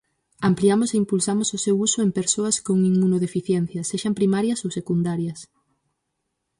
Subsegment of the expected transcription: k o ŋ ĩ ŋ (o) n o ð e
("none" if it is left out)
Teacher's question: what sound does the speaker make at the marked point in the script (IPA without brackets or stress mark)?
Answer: u